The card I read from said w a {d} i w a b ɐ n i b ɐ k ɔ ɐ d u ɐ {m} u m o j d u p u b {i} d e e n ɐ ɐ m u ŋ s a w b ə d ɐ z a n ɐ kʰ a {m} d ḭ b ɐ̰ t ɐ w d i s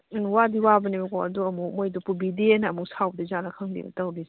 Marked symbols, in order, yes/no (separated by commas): yes, yes, yes, no